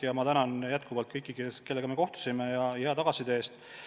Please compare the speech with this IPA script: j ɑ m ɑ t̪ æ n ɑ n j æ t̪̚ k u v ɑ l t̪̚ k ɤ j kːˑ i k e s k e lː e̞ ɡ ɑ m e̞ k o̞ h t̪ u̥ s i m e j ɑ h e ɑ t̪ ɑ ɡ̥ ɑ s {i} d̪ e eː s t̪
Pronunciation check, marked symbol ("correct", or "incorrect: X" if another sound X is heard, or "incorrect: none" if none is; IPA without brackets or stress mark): correct